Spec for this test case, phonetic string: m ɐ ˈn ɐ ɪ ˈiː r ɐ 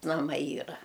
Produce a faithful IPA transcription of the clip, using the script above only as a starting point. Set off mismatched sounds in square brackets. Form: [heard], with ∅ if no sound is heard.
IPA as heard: [n] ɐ [ˈm] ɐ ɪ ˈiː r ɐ

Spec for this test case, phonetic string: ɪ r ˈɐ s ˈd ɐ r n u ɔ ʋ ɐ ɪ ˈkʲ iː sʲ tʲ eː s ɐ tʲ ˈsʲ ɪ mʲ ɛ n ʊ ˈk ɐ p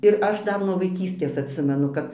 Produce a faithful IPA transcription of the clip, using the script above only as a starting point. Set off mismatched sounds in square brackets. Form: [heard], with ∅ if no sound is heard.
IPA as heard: ɪ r ˈɐ [ʃ] ˈd ɐ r n u ɔ ʋ ɐ ɪ ˈkʲ iː sʲ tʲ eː s ɐ tʲ ˈsʲ ɪ mʲ ɛ n ʊ ˈk ɐ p

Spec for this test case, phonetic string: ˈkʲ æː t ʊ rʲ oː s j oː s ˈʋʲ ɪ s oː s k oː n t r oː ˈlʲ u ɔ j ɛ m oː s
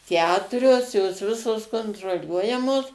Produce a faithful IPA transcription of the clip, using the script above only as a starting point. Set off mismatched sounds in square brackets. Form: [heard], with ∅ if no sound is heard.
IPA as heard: ˈkʲ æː t ʊ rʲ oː s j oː s ˈʋʲ ɪ s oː s k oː n t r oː ˈlʲ u ɔ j ɛ m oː s

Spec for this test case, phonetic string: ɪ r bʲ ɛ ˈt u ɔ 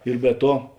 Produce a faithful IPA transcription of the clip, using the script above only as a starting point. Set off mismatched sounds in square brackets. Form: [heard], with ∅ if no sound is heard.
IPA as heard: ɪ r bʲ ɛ ˈt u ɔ

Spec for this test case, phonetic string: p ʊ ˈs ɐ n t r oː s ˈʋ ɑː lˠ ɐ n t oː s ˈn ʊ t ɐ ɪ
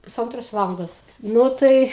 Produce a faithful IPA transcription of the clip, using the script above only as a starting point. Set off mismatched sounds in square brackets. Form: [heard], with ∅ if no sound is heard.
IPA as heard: p ʊ ˈs ɐ n t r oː s ˈʋ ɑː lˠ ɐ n [d] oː s ˈn ʊ t ɐ ɪ

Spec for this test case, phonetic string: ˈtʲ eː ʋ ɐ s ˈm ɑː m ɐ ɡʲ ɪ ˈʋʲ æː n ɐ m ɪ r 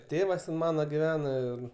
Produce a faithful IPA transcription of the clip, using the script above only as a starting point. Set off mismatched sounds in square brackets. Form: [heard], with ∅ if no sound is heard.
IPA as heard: ˈtʲ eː ʋ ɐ s ˈm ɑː [n] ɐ ɡʲ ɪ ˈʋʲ æː n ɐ [∅] ɪ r

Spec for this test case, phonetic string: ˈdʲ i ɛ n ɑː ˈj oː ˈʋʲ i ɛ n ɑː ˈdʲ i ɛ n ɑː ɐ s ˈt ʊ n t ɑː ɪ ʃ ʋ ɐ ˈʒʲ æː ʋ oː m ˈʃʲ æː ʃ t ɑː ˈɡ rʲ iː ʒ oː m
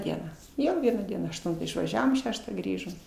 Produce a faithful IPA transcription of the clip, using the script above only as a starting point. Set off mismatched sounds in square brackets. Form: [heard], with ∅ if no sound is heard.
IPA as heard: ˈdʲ i ɛ n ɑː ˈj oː ˈʋʲ i ɛ n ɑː ˈdʲ i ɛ n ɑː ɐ [ʃ] ˈt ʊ n t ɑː ɪ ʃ ʋ ɐ ˈʒʲ æː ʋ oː m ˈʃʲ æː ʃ t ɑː ˈɡ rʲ iː ʒ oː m

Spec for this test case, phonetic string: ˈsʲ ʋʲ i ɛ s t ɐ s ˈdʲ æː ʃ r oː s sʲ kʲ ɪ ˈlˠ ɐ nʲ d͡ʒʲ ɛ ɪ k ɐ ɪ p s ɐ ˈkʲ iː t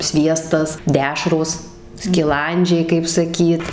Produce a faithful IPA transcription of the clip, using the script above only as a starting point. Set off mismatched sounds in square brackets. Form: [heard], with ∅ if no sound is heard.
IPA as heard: ˈsʲ ʋʲ i ɛ s t ɐ s ˈdʲ æː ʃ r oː s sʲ kʲ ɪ ˈlˠ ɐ nʲ d͡ʒʲ ɛ ɪ k ɐ ɪ p s ɐ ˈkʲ iː t

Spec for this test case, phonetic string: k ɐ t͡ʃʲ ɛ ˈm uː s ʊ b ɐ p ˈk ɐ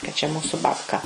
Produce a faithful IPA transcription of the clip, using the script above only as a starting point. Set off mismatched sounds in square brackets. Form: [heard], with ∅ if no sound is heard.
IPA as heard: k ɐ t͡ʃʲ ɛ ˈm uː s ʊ b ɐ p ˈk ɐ

